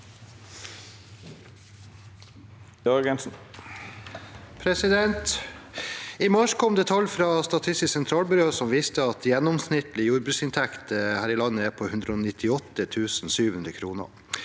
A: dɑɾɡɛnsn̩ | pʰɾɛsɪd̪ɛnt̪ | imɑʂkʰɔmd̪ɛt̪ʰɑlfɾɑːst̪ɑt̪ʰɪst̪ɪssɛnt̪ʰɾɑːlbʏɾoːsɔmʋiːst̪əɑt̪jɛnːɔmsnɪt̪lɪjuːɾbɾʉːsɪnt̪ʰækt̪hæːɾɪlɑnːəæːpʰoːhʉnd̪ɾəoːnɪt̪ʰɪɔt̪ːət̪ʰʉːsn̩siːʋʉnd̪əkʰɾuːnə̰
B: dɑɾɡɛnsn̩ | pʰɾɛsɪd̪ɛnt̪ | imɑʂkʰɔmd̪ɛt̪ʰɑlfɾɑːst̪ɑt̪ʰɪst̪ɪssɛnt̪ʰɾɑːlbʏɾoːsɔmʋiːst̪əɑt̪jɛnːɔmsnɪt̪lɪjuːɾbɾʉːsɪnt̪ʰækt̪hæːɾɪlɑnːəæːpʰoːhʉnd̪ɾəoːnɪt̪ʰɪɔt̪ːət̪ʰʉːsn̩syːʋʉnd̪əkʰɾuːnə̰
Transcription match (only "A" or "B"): B